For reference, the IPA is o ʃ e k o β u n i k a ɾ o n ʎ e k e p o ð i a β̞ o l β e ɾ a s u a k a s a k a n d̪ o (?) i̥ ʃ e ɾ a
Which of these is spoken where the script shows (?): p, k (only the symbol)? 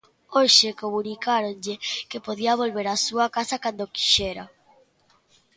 k